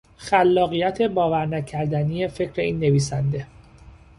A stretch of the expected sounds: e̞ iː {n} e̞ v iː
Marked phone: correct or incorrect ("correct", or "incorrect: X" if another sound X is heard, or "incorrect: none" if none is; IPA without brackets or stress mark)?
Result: incorrect: nː